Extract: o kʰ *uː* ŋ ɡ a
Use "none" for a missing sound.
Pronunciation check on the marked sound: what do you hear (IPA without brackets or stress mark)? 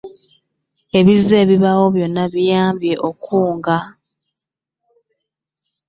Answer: uː